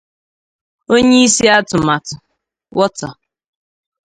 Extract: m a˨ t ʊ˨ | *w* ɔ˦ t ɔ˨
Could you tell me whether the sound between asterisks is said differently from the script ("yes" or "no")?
no